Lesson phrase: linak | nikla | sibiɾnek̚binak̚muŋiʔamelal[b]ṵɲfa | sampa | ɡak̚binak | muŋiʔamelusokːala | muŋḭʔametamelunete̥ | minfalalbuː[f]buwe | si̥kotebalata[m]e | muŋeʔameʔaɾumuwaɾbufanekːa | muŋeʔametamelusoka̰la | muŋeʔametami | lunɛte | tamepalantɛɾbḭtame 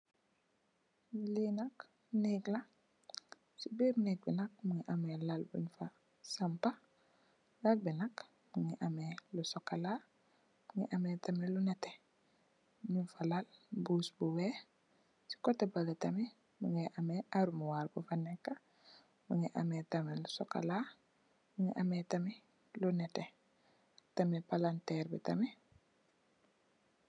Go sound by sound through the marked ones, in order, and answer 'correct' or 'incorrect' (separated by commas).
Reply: correct, incorrect, correct